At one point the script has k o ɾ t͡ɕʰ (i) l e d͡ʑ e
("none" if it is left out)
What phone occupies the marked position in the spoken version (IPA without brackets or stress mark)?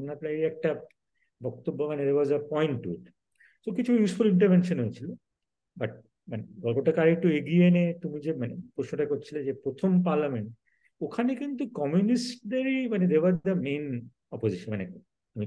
i